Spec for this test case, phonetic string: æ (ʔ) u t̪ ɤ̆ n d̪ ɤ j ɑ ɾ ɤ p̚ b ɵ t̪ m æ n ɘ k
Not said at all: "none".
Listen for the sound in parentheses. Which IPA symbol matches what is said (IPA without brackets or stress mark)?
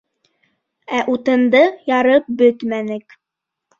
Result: ʔ